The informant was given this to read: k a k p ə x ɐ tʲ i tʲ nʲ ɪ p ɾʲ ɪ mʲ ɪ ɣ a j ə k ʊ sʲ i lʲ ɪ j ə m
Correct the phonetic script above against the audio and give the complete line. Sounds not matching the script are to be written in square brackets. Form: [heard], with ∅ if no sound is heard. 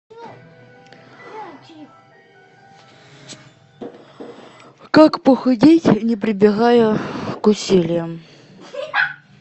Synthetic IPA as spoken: k a k p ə x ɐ [dʲ] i tʲ nʲ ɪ p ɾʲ ɪ [bʲ] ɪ ɣ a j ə k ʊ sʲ i lʲ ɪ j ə m